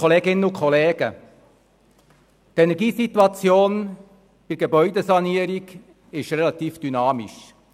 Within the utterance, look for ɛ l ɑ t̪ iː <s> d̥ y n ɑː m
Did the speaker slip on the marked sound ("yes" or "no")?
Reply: yes